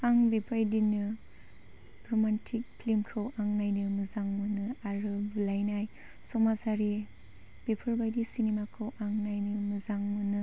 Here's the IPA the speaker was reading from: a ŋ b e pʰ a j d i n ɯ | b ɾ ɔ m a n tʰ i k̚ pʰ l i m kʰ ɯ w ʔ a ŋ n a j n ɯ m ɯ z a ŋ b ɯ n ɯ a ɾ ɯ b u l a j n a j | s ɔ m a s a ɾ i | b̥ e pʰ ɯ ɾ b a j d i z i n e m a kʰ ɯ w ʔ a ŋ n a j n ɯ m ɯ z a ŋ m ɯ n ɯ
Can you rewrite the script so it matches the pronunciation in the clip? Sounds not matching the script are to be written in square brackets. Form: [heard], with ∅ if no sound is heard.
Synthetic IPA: a ŋ b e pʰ a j d i n ɯ | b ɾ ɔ m a n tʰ i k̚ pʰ l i m kʰ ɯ w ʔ a ŋ n a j n ɯ m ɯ z a ŋ [m] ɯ n ɯ a ɾ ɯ b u l a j n a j | s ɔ m a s a ɾ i | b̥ e pʰ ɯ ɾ b a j d i [s] i n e m a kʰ ɯ w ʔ a ŋ n a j n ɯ m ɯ z a ŋ m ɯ n ɯ

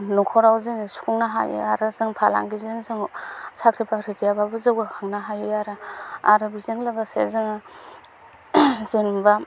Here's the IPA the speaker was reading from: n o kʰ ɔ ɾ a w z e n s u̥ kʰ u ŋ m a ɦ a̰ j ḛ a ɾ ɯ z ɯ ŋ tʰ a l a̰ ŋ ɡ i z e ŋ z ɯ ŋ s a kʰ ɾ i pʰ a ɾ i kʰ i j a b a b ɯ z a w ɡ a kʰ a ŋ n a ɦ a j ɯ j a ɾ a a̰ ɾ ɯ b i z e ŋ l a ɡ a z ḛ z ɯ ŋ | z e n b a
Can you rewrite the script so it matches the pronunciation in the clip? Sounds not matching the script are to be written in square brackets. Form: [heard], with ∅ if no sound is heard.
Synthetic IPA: n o kʰ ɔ ɾ a w z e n s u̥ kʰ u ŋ [n] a ɦ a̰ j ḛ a ɾ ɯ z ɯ ŋ [pʰ] a l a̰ ŋ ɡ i z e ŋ z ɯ ŋ s a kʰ ɾ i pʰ a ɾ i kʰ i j a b a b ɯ z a w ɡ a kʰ a ŋ n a ɦ a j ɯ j a ɾ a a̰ ɾ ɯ b i z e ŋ l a ɡ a [s] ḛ z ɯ ŋ | z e n b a

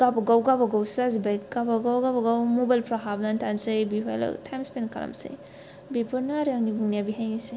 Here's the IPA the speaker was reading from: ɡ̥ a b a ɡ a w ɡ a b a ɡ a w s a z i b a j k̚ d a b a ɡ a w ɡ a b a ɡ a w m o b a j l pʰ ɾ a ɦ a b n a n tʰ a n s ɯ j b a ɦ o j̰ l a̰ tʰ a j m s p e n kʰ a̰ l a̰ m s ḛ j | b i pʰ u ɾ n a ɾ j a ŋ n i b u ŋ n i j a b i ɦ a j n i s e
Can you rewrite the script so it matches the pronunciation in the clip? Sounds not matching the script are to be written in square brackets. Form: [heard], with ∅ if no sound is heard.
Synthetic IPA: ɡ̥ a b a ɡ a w ɡ a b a ɡ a w s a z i b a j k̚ [ɡ] a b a ɡ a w ɡ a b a ɡ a w m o b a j l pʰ ɾ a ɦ a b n a n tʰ a n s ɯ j b [i] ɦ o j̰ l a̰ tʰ a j m s p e n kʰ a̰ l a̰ m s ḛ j | b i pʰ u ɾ n a ɾ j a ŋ n i b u ŋ n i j a b i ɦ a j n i s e

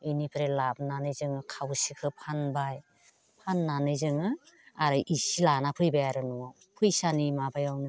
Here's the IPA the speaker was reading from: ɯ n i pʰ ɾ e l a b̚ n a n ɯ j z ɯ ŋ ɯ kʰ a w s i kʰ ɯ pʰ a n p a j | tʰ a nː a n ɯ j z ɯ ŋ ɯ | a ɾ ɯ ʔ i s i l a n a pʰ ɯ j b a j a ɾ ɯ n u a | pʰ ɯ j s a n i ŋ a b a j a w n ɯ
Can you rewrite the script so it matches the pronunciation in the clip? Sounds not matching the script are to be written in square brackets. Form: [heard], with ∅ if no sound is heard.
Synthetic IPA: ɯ n i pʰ ɾ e l a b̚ n a n ɯ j z ɯ ŋ ɯ kʰ a w s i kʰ ɯ pʰ a n [b] a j | [pʰ] a nː a n ɯ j z ɯ ŋ ɯ | a ɾ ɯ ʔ i s i l a n a pʰ ɯ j b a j a ɾ ɯ n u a | pʰ ɯ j s a n i [m] a b a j a w n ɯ

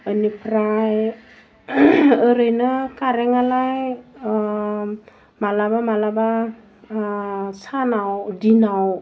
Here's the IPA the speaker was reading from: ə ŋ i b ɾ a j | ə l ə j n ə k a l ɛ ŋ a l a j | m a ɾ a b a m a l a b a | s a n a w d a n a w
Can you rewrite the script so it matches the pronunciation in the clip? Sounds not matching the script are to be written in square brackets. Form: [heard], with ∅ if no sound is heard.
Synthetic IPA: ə [n] i [p] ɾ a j | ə [ɾ] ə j n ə k a [ɾ] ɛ ŋ a l a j | m a [l] a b a m a l a b a | s a n a w d [i] n a w

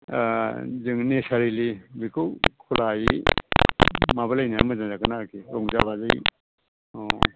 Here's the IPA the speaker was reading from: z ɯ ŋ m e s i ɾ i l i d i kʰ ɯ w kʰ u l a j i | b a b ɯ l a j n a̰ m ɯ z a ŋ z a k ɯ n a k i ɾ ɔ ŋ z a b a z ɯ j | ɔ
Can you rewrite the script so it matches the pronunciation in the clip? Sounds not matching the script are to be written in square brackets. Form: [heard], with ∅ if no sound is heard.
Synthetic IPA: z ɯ ŋ [n] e s [a] ɾ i l i [b] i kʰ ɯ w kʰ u l a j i | [m] a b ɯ l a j n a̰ m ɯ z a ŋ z a k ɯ n a k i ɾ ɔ ŋ z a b a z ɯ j | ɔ

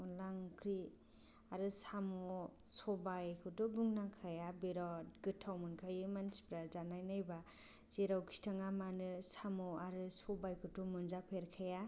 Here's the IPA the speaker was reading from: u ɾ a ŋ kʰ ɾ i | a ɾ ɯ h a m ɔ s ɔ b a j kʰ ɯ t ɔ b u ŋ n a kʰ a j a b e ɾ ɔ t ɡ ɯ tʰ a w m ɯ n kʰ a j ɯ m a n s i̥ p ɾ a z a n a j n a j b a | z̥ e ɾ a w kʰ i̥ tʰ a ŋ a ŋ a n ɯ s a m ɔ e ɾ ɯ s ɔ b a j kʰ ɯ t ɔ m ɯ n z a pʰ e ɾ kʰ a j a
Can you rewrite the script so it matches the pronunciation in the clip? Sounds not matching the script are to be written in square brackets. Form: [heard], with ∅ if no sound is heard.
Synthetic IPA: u [l] a ŋ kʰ ɾ i | a ɾ ɯ [s] a m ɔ s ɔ b a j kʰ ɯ t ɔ b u ŋ n a kʰ a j a b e ɾ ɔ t ɡ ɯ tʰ a w m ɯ n kʰ a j ɯ m a n s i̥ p ɾ a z a n a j n a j b a | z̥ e ɾ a w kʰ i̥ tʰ a ŋ a [m] a n ɯ s a m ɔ [a] ɾ ɯ s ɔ b a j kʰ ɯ t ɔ m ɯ n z a pʰ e ɾ kʰ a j a

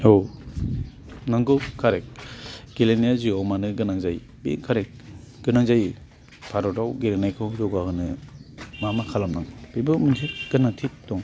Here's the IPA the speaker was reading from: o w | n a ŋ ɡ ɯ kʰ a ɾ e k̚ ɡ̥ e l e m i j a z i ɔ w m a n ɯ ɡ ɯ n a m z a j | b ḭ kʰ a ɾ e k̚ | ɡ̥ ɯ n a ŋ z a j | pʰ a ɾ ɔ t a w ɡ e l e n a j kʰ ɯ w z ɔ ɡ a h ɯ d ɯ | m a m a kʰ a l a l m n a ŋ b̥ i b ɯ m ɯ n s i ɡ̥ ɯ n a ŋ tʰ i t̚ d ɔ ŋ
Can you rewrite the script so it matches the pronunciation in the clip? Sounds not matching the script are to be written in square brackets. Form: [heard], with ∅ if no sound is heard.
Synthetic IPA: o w | n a ŋ ɡ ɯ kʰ a ɾ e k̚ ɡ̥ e l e [n] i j a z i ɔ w m a n ɯ ɡ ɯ n a [ŋ] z a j | b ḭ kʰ a ɾ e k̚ | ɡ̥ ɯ n a ŋ z a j | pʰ a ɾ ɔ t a w ɡ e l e n a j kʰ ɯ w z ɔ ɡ a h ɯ [n] ɯ | m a m a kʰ a l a [∅] m n a ŋ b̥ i b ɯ m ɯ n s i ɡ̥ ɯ n a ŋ tʰ i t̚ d ɔ ŋ

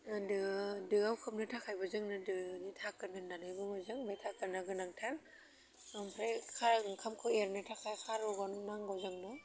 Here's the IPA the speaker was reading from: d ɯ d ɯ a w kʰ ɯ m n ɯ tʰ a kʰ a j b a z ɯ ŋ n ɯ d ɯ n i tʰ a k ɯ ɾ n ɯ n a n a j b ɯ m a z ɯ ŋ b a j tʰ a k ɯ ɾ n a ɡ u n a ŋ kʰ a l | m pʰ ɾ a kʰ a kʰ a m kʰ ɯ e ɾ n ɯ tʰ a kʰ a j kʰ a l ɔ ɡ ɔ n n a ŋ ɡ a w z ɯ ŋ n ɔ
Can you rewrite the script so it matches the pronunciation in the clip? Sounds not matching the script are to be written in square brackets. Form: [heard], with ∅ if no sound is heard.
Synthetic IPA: d ɯ d ɯ a w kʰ ɯ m n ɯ tʰ a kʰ a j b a z ɯ ŋ n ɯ d ɯ n i tʰ a k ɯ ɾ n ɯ n a n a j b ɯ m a z ɯ ŋ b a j tʰ a k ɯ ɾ n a ɡ [ɯ] n a ŋ [tʰ] a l | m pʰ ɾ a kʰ a kʰ a m kʰ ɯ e ɾ n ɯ tʰ a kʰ a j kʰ a [ɾ] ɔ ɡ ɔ n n a ŋ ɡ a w z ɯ ŋ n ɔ

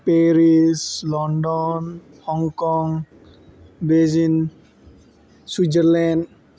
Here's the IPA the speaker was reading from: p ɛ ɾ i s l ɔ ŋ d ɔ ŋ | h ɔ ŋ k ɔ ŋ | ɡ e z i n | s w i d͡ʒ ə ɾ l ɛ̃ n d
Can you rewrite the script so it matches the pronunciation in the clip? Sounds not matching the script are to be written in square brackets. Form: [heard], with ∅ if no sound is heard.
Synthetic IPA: p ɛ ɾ i s l ɔ [n] d ɔ [n] | h ɔ ŋ k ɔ ŋ | [b] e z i n | s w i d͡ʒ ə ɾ l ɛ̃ n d

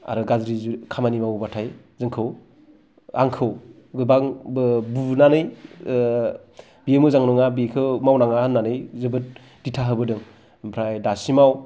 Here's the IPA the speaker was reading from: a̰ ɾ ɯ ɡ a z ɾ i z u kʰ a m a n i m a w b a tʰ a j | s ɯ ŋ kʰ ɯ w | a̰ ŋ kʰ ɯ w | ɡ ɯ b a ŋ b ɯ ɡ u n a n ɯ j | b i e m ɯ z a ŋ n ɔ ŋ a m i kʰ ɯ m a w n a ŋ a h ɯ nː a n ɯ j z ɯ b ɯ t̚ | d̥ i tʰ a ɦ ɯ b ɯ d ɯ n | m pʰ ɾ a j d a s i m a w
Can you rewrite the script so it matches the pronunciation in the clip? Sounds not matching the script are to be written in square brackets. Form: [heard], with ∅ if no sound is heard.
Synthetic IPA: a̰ ɾ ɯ ɡ a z ɾ i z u kʰ a m a n i m a w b a tʰ a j | [z] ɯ ŋ kʰ ɯ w | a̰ ŋ kʰ ɯ w | ɡ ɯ b a ŋ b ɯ [b] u n a n ɯ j | b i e m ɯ z a ŋ n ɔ ŋ a [b] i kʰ ɯ m a w n a ŋ a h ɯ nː a n ɯ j z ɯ b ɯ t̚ | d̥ i tʰ a ɦ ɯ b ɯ d ɯ [ŋ] | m pʰ ɾ a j d a s i m a w

